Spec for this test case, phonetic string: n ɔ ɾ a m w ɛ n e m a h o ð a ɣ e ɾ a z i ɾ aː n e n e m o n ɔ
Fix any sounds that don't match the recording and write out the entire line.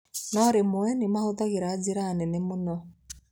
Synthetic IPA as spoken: n ɔ ɾ e m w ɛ n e m a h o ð a ɣ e ɾ a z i ɾ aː n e n e m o n ɔ